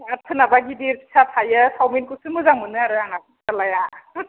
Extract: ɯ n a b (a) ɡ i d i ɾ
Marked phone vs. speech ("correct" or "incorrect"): correct